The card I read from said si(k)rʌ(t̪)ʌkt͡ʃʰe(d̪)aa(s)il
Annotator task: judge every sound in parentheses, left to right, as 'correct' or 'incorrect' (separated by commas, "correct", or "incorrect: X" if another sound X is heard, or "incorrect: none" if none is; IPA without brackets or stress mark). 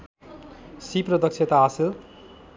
incorrect: p, incorrect: d̪, incorrect: t̪, correct